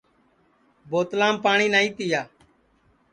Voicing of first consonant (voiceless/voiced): voiced